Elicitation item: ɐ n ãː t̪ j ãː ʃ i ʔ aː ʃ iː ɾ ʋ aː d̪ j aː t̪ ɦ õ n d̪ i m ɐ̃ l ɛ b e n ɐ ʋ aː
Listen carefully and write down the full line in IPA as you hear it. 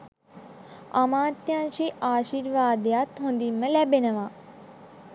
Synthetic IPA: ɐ m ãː t̪ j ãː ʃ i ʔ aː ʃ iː ɾ ʋ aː d̪ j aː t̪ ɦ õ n d̪ i m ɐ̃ l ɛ b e n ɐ ʋ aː